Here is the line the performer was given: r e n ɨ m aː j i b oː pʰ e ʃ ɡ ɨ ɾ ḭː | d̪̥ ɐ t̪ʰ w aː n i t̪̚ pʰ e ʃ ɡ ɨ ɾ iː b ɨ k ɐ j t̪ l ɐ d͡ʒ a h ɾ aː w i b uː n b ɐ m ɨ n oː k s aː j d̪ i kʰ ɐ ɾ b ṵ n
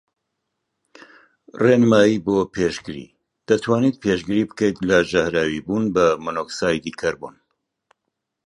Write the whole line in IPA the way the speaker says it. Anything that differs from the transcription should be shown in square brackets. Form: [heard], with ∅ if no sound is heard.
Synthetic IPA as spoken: r e n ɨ m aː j i b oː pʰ e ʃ ɡ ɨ ɾ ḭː | d̪̥ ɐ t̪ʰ w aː n i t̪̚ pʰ e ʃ ɡ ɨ ɾ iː b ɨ k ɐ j t̪ l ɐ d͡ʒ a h ɾ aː w i b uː n b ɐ m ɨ n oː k s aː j d̪ i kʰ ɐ ɾ b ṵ n